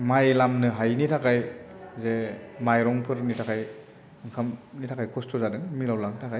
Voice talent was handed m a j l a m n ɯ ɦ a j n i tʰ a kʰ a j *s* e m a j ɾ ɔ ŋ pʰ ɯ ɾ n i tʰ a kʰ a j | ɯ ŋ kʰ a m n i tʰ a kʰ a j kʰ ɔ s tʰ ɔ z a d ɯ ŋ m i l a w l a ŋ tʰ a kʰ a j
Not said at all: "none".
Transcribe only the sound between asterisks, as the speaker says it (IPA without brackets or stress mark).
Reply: z